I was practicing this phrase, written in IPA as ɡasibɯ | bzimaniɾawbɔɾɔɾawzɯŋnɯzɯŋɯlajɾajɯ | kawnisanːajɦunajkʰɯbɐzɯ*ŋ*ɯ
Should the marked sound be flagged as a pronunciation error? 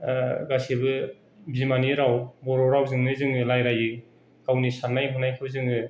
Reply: no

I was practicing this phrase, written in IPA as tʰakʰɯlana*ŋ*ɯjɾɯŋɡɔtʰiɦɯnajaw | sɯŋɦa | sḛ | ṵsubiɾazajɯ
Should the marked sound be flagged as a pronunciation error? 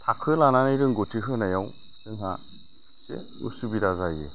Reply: yes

